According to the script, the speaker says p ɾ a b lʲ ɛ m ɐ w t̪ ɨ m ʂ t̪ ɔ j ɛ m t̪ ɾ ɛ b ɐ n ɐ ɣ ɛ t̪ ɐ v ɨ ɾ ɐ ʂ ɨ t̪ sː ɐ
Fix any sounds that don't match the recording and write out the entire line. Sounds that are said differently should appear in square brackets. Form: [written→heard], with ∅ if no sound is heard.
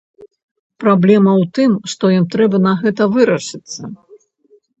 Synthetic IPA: p ɾ a b lʲ ɛ m ɐ w t̪ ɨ m ʂ t̪ ɔ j [ɛ→i] m t̪ ɾ ɛ b ɐ n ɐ ɣ ɛ t̪ ɐ v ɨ ɾ ɐ ʂ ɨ t̪ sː ɐ